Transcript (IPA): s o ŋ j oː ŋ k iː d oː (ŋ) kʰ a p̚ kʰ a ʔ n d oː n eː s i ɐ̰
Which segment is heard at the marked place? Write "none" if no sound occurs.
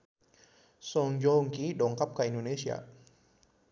ŋ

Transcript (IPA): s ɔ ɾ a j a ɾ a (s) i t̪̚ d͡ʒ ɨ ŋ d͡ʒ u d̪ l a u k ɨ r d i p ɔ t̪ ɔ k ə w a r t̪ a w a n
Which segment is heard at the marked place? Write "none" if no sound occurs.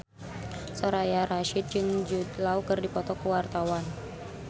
ʃ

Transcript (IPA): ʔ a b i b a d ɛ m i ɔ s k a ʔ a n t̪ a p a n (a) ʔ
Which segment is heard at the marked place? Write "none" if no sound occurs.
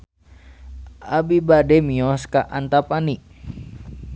i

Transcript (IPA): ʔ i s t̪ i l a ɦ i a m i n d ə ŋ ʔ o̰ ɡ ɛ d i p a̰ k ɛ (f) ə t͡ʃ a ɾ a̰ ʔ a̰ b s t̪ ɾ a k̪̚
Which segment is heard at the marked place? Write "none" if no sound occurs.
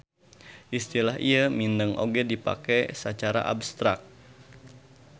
s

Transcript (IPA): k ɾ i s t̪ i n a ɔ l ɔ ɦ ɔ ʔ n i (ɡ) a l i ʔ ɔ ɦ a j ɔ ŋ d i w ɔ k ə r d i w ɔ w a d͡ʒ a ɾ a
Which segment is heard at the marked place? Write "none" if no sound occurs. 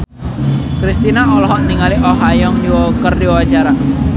ŋ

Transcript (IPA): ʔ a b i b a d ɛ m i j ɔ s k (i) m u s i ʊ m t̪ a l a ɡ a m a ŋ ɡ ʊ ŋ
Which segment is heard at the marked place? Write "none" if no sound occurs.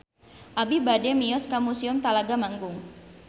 a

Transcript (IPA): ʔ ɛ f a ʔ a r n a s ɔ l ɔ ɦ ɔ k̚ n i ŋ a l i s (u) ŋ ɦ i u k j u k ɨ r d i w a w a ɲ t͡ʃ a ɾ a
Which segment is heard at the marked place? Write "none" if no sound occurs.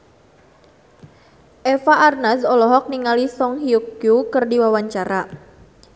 ɔ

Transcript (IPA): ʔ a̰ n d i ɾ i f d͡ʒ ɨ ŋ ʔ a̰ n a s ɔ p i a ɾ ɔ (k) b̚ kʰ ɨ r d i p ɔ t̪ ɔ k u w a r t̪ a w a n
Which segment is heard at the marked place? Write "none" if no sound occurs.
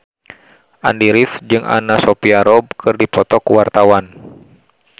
none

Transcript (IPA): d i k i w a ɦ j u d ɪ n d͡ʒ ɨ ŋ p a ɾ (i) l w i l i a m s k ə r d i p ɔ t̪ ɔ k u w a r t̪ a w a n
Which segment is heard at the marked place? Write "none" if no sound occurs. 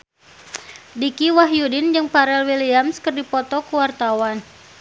ɛ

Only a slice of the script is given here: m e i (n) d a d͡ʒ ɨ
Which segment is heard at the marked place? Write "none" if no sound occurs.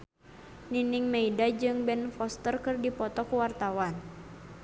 none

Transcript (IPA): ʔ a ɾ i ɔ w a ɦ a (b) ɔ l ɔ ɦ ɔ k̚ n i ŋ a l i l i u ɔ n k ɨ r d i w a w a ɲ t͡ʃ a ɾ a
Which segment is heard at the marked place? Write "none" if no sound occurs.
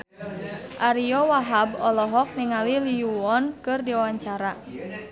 b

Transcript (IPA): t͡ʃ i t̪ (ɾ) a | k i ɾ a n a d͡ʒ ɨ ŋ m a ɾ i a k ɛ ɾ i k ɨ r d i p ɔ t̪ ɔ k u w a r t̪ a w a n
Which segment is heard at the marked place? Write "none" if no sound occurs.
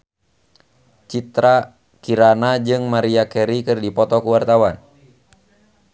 ɾ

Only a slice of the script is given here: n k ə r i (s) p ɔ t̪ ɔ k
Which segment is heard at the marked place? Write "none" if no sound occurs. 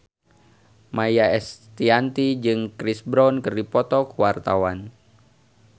none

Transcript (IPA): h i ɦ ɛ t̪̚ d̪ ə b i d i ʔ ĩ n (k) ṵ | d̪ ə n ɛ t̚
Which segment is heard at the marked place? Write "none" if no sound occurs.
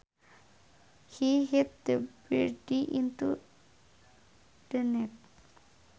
t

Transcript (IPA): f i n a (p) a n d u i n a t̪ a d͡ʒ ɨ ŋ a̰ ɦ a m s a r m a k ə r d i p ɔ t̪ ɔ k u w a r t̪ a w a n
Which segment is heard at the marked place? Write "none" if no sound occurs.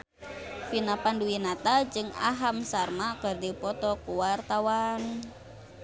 p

